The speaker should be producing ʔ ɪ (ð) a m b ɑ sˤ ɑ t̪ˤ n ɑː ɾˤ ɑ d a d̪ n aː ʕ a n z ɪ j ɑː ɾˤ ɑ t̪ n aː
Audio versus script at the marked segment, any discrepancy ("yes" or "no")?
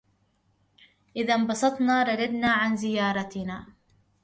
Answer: no